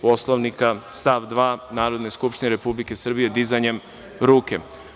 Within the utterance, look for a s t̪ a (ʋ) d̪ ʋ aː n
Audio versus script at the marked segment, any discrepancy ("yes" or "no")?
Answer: no